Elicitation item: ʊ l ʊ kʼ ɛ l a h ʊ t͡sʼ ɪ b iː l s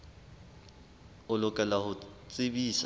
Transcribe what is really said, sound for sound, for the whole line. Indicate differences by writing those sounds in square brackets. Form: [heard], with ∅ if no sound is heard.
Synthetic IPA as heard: ʊ l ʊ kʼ ɛ l a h ʊ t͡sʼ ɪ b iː [∅] s